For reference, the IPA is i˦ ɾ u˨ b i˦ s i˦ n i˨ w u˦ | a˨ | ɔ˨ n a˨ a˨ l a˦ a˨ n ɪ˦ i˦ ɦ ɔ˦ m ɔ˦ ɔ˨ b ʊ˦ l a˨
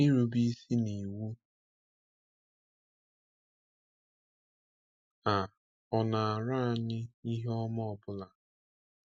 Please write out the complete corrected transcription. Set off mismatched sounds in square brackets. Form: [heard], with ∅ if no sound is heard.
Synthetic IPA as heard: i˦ ɾ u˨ b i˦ s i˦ n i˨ w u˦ | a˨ | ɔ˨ n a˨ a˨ [ɾ] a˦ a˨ [ɲ] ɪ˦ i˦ ɦ ɔ˦ m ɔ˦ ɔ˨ b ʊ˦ l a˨